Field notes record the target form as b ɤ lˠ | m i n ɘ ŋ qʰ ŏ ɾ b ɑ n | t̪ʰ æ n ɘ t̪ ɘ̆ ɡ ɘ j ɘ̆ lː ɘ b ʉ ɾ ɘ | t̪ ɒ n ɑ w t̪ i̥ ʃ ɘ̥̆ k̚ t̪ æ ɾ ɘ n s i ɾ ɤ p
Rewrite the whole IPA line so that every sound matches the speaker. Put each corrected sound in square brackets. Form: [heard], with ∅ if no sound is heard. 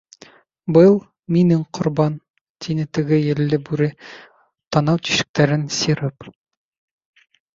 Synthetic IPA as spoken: b ɤ lˠ | m i n ɘ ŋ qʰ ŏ ɾ b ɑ n | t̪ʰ [i] n ɘ t̪ ɘ̆ ɡ ɘ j ɘ̆ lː ɘ b ʉ ɾ ɘ | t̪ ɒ n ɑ w t̪ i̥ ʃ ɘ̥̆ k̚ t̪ æ ɾ ɘ n s i ɾ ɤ p